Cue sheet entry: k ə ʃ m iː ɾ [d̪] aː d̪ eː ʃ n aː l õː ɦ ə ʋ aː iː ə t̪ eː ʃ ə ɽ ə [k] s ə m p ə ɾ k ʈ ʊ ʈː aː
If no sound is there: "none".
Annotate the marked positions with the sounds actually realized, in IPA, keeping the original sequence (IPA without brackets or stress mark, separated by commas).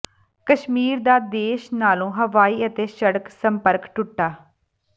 d̪, k